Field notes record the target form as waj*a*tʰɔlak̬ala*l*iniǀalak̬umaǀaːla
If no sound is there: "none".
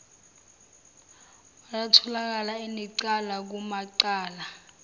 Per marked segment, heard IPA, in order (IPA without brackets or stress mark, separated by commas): a, none